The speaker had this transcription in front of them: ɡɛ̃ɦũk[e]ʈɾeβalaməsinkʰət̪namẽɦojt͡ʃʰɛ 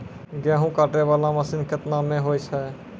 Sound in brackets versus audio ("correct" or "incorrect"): incorrect